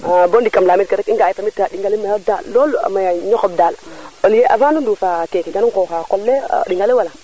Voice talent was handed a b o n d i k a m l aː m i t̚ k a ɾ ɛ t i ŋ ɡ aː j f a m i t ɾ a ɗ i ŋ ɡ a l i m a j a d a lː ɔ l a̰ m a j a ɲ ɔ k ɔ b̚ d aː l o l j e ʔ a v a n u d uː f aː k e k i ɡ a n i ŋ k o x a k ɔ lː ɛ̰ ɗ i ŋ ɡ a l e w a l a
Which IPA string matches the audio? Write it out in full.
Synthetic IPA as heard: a b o n d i k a m l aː m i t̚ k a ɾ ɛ k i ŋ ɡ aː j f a m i t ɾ a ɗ i ŋ ɡ a l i m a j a d a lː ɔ l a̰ m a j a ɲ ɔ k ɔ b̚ d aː l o l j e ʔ a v a n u d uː f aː k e k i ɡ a n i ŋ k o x a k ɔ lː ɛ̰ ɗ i ŋ ɡ a l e w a l a